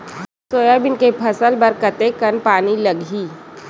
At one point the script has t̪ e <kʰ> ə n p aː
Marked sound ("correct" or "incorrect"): incorrect